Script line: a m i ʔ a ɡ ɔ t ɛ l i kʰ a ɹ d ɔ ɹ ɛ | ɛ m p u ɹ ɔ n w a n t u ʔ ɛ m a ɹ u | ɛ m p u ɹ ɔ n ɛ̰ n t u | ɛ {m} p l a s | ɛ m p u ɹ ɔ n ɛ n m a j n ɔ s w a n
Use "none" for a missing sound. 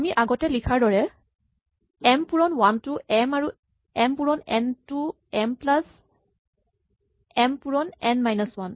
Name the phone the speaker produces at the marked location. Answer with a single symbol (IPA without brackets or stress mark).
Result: m